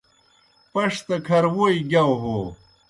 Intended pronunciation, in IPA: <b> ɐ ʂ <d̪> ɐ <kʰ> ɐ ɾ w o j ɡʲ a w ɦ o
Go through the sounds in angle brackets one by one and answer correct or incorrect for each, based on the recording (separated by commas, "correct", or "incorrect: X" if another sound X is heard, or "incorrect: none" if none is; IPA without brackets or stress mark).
incorrect: p, incorrect: t̪, correct